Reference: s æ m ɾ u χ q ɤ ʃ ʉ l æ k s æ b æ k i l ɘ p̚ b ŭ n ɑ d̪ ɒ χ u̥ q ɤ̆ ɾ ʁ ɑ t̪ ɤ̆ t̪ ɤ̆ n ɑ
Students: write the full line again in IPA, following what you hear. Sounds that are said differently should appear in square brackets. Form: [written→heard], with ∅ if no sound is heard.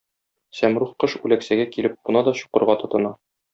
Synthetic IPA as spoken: s æ m ɾ u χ q ɤ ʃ ʉ l æ k s æ [b→ɡ] æ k i l ɘ p̚ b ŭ n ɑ d̪ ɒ [χ→ɕ] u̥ q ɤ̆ ɾ ʁ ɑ t̪ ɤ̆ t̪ ɤ̆ n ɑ